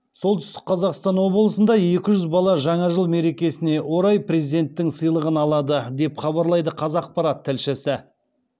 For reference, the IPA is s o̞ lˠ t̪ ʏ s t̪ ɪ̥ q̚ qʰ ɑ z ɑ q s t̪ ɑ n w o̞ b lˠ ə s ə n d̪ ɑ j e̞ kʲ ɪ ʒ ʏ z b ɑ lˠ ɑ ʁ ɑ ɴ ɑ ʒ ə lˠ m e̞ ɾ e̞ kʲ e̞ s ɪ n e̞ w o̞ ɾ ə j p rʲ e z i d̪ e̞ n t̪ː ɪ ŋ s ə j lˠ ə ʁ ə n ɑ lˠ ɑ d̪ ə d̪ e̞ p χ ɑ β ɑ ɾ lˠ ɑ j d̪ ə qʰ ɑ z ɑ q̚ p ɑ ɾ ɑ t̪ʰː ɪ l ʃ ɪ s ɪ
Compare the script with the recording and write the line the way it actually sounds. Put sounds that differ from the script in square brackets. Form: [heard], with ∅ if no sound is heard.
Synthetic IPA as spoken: s o̞ lˠ t̪ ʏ s t̪ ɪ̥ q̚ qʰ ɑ z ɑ q s t̪ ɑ n w o̞ b lˠ ə s ə n d̪ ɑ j e̞ kʲ ɪ ʒ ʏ z b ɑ lˠ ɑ [ʒ] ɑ ɴ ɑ ʒ ə lˠ m e̞ ɾ e̞ kʲ e̞ s ɪ n e̞ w o̞ ɾ [ɑ] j p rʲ e z i d̪ e̞ n t̪ː ɪ ŋ s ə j lˠ ə ʁ ə n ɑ lˠ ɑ d̪ ə d̪ e̞ p χ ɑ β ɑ ɾ lˠ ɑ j d̪ ə qʰ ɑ z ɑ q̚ p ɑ ɾ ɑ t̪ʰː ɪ l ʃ ɪ s ɪ